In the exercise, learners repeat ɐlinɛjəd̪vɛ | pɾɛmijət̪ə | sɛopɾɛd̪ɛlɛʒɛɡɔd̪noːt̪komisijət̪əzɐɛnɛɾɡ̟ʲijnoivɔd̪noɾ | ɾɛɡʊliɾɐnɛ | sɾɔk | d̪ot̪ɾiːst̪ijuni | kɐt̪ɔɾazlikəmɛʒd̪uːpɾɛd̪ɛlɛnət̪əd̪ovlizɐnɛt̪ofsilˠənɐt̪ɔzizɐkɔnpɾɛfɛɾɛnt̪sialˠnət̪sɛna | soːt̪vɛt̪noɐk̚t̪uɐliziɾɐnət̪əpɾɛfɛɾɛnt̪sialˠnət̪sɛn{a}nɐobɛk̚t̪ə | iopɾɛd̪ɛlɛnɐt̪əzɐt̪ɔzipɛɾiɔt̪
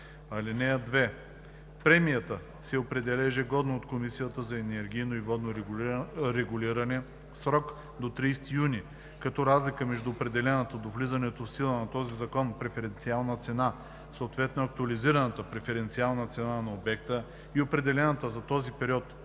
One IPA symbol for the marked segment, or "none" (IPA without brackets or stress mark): a